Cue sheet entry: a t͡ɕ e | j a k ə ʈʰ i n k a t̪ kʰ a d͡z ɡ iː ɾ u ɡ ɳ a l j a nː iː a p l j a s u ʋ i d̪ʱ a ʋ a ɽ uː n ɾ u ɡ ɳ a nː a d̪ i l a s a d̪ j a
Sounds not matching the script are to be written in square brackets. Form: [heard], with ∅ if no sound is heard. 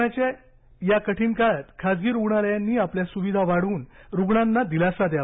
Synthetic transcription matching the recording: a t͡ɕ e | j a k ə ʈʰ i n k a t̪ kʰ a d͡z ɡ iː ɾ u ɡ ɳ a l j a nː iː a p l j a s u ʋ i d̪ʱ a ʋ a ɽ uː n ɾ u ɡ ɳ a nː a d̪ i l a s a d̪ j a